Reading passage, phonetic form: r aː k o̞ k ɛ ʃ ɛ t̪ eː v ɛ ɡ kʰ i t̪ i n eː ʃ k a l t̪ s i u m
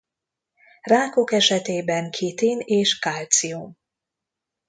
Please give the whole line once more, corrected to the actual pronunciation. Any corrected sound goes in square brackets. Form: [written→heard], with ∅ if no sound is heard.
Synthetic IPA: r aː k o̞ k ɛ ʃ ɛ t̪ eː [v→b] ɛ [ɡ→ŋ] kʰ i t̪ i n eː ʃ k a l t̪ s i u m

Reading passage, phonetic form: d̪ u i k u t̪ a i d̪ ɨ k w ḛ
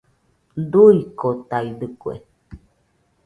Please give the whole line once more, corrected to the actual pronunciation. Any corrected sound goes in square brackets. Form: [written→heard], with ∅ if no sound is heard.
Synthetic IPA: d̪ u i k [u→o] t̪ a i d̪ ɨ k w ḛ

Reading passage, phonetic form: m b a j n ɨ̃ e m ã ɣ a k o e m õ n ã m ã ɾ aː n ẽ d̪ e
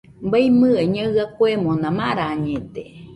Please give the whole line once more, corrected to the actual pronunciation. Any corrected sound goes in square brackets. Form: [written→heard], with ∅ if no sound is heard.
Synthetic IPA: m b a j [n→m] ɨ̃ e [m→ɲ] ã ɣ a k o e m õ n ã m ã ɾ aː [n→ɲ] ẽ [d̪→t̪] e

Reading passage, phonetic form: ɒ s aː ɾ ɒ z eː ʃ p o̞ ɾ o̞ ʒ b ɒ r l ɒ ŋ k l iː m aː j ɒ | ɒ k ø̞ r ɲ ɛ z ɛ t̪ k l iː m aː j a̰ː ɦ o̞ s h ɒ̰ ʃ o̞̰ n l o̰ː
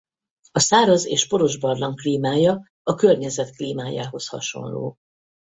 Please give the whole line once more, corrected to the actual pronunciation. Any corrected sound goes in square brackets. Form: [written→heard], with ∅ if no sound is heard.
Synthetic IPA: ɒ s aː ɾ ɒ z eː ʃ p o̞ ɾ o̞ ʒ b ɒ r l ɒ ŋ k l iː m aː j ɒ | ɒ k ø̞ r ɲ ɛ z ɛ t̪ k l iː m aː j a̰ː ɦ o̞ s h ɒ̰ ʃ o̞̰ n l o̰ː

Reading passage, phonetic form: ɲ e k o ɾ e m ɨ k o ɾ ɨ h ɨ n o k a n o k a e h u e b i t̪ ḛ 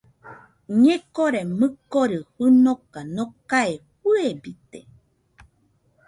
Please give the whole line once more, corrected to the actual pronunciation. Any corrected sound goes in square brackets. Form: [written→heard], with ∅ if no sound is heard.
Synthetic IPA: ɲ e k o ɾ e m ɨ k o ɾ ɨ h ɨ n o k a n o k a e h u e b i t̪ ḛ

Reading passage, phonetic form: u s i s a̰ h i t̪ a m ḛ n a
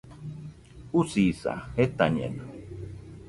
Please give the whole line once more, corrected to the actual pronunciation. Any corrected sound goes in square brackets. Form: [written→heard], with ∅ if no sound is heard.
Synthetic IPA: u s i s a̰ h [i→e] t̪ a [m→ɲ] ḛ n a

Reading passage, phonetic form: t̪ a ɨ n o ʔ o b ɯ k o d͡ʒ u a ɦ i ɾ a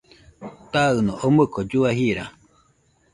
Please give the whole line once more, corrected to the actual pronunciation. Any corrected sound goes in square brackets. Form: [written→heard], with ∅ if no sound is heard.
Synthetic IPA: t̪ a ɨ n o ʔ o [b→m] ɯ k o d͡ʒ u a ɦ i ɾ a

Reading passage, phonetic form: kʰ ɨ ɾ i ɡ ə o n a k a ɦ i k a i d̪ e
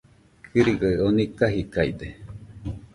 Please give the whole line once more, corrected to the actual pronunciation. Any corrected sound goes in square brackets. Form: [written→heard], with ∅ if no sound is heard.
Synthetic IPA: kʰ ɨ ɾ i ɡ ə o n [a→i] k a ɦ i k a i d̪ e

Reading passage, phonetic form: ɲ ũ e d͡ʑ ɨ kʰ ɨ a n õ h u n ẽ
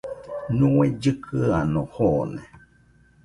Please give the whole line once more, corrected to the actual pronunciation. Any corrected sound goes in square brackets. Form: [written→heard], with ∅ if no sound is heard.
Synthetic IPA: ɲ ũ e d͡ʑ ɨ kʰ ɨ a n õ h [u→o] n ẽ

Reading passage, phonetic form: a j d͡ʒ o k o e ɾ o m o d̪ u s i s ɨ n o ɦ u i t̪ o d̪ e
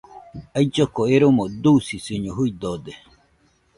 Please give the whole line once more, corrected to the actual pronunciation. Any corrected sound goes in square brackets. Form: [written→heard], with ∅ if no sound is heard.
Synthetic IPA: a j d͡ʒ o k o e ɾ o m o d̪ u s i s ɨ [n→ɲ] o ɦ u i [t̪→d̪] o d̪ e

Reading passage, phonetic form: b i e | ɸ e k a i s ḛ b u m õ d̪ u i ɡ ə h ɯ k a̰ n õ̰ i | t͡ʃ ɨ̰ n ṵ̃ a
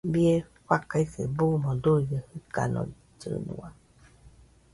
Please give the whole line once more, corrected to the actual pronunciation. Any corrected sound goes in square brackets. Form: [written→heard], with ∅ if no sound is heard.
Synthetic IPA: b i e | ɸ [e→a] k a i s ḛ b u m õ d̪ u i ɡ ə h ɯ k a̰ n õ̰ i | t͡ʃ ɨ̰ n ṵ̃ a

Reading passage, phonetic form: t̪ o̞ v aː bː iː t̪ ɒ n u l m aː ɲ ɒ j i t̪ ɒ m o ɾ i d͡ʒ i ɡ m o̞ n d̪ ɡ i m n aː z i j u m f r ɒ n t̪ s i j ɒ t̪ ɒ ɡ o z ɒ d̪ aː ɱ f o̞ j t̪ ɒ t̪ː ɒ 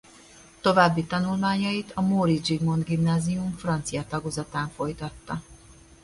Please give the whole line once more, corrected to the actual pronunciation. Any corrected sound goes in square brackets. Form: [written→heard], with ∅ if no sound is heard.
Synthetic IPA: t̪ o̞ v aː bː [iː→i] t̪ ɒ n u l m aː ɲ ɒ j i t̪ ɒ m o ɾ i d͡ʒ i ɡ m o̞ n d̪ ɡ i m n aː z i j u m f r ɒ n t̪ s i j ɒ t̪ ɒ ɡ o z ɒ [d̪→t̪] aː ɱ f o̞ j t̪ ɒ t̪ː ɒ

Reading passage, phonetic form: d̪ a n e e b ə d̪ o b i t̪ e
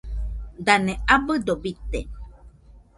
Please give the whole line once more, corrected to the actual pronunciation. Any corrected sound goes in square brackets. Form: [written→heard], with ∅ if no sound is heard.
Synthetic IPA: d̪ a n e [e→a] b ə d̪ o b i t̪ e

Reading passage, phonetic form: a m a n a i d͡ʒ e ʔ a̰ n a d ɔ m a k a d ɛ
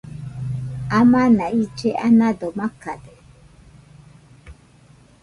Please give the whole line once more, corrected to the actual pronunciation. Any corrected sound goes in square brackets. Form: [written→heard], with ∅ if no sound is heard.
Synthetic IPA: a m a n a i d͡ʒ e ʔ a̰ n a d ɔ m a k a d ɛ

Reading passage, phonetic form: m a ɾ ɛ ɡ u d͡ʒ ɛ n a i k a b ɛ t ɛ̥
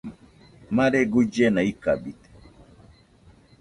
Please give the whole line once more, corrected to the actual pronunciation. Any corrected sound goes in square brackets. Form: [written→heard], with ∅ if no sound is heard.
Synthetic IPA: m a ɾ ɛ ɡ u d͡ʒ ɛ n a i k a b [ɛ→i] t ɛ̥

